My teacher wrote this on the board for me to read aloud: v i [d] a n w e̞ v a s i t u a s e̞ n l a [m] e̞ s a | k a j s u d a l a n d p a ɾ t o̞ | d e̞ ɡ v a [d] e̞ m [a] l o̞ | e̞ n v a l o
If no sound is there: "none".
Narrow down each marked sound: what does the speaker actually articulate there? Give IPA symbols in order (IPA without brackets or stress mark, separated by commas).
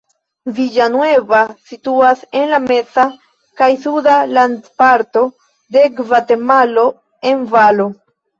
d͡ʒ, m, t, a